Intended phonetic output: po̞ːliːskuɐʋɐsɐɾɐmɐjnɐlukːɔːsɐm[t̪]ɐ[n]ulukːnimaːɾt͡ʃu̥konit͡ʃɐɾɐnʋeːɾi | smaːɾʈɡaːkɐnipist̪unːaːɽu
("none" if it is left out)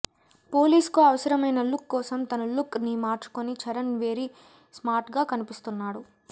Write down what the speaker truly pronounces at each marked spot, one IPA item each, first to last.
t̪, n

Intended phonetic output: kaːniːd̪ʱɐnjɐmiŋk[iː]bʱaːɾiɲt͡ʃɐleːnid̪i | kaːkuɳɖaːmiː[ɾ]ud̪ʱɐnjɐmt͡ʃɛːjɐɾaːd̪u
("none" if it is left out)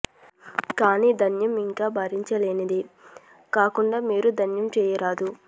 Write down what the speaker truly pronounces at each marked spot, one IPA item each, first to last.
aː, ɾ

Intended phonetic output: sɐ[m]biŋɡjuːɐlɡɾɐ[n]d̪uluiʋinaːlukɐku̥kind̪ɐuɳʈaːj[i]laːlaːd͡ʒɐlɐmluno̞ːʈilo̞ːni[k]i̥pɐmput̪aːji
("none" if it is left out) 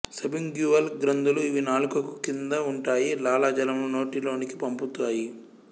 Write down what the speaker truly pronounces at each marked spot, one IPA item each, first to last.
none, n, i, k

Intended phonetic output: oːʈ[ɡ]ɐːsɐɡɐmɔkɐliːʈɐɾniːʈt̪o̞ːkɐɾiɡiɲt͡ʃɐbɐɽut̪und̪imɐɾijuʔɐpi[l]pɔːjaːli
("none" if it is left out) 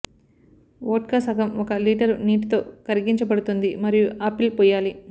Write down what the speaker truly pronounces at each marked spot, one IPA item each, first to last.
k, l

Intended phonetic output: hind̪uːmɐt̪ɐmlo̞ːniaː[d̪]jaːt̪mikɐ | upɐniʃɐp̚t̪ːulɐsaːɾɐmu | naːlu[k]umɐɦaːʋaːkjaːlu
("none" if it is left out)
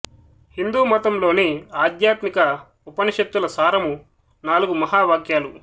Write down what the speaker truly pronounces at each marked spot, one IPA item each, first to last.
d̪, ɡ

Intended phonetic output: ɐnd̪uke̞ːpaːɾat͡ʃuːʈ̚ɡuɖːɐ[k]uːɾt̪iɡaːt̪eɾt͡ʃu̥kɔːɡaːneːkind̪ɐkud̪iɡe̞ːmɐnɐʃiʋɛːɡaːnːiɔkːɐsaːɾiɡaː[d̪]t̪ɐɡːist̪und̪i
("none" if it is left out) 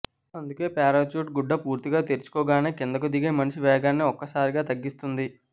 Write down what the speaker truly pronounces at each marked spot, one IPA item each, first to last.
p, none

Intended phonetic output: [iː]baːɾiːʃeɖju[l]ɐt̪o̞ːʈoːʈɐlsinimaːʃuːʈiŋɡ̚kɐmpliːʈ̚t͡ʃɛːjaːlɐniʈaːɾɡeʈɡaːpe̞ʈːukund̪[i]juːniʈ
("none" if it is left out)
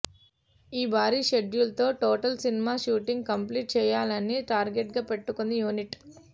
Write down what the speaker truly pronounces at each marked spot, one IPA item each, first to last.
iː, l, i

